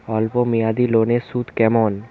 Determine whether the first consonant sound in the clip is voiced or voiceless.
voiced